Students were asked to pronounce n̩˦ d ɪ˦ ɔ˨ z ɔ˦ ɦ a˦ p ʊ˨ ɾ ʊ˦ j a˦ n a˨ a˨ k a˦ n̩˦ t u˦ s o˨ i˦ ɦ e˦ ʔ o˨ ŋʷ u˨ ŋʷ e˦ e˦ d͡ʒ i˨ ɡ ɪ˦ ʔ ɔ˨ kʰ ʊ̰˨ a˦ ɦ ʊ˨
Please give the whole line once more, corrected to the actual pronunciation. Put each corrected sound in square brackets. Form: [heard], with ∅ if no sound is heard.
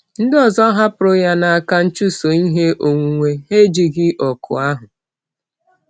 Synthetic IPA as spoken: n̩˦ d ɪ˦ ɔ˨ z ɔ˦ ɦ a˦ p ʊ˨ ɾ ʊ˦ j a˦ n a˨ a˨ k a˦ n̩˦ [t͡ʃ] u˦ s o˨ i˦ ɦ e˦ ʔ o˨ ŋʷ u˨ ŋʷ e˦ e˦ d͡ʒ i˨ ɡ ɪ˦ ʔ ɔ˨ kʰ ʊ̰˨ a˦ ɦ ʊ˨